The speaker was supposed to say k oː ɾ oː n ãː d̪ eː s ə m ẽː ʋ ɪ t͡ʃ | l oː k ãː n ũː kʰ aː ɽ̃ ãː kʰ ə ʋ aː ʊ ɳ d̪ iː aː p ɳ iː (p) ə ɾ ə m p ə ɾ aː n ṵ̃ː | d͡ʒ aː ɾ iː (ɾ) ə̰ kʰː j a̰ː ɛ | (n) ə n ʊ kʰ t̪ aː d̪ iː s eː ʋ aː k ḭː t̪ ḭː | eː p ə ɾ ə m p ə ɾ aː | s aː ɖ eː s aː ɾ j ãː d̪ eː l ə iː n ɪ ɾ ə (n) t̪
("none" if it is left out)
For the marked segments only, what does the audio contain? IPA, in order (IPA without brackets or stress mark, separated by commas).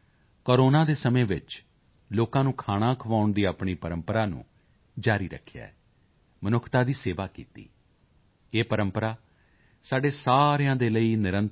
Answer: p, ɾ, m, n